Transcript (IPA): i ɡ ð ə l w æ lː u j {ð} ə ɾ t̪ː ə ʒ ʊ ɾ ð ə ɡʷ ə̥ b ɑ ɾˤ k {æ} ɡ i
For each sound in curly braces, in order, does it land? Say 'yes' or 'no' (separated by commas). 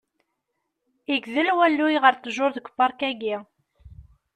no, yes